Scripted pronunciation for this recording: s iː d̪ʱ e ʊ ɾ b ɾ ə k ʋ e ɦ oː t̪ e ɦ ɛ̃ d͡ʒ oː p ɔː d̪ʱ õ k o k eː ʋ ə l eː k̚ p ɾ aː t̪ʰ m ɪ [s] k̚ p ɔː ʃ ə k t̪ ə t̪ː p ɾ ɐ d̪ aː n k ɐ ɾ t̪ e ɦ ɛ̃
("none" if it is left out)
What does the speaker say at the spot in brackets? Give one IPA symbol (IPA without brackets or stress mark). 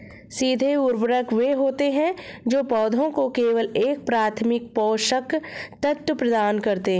none